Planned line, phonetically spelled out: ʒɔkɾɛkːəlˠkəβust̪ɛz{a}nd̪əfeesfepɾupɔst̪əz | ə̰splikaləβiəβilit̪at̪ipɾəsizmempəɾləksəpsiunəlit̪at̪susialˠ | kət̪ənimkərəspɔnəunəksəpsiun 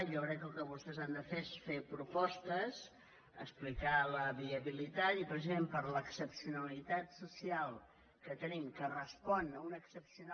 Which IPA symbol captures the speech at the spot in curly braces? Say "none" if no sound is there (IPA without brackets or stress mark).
a